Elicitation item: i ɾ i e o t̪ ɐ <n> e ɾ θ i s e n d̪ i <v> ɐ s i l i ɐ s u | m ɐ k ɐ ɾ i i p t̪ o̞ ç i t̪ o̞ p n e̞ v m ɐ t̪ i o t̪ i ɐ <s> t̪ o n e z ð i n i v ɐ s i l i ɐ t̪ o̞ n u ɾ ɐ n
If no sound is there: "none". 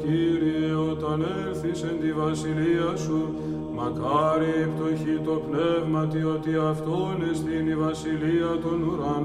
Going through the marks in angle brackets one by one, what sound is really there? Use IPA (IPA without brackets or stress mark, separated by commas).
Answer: n, v, f